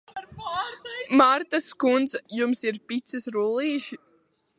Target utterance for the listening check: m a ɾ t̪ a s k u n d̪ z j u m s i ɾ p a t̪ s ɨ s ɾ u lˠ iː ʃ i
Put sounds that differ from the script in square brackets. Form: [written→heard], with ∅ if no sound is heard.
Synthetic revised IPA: m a ɾ t̪ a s k u n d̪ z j u m s i ɾ p [a→i] t̪ s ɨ s ɾ u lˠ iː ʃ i